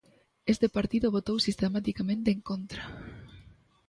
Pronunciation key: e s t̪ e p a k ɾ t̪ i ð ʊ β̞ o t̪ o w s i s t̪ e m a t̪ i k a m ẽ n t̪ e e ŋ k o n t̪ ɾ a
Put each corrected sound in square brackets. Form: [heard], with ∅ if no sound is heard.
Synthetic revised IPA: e s t̪ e p a [∅] ɾ t̪ i ð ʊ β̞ o t̪ o w s i s t̪ e m a t̪ i k a m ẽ n t̪ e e ŋ k o n t̪ ɾ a